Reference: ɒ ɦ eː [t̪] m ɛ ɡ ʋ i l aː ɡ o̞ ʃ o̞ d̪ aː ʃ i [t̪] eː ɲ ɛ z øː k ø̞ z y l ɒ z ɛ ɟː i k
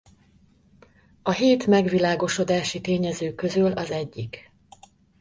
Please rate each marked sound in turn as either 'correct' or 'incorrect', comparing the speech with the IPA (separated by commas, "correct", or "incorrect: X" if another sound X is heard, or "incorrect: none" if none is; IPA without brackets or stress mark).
correct, correct